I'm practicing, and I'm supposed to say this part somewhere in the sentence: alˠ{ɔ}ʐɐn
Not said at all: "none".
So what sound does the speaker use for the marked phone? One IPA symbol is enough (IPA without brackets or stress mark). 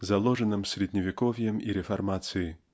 ɔ